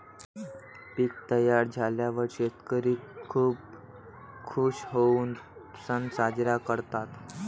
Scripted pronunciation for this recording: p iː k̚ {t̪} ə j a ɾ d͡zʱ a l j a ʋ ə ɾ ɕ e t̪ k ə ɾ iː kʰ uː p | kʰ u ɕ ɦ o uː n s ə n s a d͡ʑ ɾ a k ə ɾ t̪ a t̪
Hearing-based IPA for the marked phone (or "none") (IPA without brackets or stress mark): t̪